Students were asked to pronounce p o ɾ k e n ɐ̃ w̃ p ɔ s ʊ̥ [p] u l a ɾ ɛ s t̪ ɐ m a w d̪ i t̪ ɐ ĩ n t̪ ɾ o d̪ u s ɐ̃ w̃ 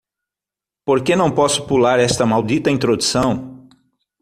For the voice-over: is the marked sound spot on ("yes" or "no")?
yes